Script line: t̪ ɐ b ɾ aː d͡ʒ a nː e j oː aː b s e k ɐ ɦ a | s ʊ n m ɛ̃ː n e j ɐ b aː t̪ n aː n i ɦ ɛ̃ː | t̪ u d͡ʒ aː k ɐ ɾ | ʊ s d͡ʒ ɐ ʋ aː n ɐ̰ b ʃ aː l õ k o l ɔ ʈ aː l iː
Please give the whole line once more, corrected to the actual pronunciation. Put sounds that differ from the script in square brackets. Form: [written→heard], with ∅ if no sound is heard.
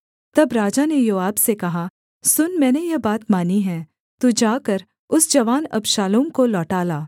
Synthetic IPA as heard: t̪ ɐ b ɾ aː d͡ʒ a [nː→n] e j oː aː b s e k ɐ ɦ a | s ʊ n m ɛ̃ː n e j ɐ b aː t̪ [n→m] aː n i ɦ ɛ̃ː | t̪ u d͡ʒ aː k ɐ ɾ | ʊ s d͡ʒ ɐ ʋ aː n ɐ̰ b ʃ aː l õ k o l [ɔ→ɔː] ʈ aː l [iː→aː]